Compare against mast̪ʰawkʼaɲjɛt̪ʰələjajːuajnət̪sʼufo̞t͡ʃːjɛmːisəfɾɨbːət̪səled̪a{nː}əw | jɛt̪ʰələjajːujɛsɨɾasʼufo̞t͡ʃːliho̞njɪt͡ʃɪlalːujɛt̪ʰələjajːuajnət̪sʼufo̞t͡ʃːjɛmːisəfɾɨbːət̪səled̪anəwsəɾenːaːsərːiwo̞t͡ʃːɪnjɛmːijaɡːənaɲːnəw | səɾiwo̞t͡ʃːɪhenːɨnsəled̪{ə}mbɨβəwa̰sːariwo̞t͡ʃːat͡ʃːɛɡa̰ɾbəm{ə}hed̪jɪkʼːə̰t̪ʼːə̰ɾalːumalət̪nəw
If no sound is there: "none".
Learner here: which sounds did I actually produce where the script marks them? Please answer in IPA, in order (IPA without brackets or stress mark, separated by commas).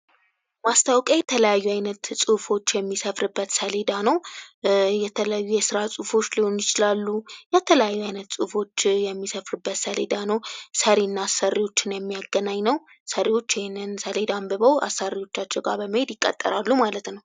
n, a, ə